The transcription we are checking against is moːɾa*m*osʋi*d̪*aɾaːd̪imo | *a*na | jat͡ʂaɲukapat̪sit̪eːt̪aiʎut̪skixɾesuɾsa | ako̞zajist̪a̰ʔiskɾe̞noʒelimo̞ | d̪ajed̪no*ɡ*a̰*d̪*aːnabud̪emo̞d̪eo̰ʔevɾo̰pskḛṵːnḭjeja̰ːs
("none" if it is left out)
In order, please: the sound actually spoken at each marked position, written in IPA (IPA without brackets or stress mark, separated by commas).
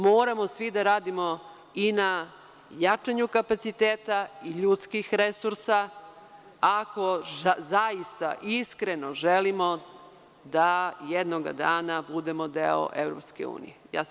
m, d̪, i, ɡ, d̪